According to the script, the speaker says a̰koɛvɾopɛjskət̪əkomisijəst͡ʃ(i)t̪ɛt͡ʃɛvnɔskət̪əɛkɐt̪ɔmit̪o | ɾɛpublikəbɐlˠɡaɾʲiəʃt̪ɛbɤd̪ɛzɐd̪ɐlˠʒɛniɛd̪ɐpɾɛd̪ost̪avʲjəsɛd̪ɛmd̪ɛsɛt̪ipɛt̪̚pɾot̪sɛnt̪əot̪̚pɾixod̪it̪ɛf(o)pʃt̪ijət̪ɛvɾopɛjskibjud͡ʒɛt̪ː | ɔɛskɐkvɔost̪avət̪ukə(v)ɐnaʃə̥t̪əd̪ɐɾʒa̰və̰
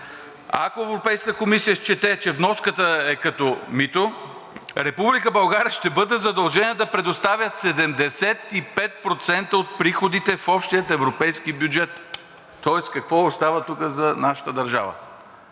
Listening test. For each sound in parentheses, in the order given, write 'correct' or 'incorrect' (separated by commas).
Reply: incorrect, incorrect, incorrect